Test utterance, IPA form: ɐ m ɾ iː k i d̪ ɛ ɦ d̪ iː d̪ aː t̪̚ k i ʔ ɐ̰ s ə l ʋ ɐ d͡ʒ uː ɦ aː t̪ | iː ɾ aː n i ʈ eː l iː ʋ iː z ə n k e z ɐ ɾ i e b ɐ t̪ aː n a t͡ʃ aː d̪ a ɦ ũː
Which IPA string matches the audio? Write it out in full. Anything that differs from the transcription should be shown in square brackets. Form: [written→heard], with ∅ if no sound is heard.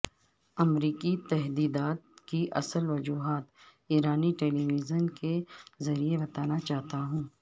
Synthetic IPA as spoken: ɐ m ɾ iː k i [d̪→t̪] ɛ ɦ d̪ iː d̪ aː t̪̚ k i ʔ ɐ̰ s ə l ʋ ɐ d͡ʒ uː ɦ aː t̪ | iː ɾ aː n i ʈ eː l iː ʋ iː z ə n k e z ɐ ɾ i e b ɐ t̪ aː n a t͡ʃ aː [d̪→t̪] a ɦ ũː